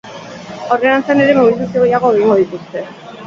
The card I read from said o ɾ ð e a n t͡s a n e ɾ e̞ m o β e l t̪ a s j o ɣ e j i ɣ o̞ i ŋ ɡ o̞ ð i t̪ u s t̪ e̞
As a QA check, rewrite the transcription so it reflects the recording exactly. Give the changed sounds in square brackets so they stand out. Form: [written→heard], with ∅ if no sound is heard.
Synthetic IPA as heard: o ɾ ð e a n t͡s a n e ɾ e̞ m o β [e→i] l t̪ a s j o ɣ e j [i→a] ɣ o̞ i ŋ ɡ o̞ ð i t̪ u s t̪ e̞